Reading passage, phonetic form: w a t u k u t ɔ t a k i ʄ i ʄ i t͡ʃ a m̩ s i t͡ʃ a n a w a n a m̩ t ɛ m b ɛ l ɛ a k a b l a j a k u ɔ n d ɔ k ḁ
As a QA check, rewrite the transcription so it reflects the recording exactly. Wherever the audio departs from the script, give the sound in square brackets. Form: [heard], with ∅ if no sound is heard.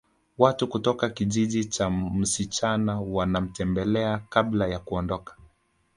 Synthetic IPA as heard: w a t u k u t ɔ [k] a k i ʄ i ʄ i t͡ʃ a m̩ s i t͡ʃ a n a w a n a m̩ t ɛ m b ɛ l ɛ a k a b l a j a k u ɔ n d ɔ k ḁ